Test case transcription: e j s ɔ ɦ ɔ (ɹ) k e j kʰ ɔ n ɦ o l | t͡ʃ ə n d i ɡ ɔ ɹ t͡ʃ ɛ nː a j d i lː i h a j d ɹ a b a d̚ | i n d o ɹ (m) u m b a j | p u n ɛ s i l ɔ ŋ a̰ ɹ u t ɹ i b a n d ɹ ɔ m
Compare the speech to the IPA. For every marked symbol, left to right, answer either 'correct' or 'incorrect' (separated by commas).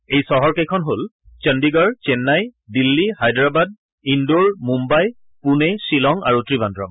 correct, correct